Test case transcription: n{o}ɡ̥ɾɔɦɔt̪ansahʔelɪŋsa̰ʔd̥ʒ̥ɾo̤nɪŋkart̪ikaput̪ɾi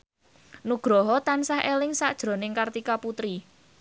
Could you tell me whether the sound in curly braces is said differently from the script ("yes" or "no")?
yes